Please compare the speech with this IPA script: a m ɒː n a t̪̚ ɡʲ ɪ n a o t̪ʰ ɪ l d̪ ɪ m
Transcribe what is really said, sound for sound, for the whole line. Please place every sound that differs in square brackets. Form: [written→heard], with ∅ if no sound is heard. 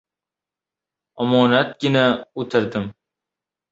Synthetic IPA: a m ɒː n a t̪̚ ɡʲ ɪ n a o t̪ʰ ɪ [l→ɾ] d̪ ɪ m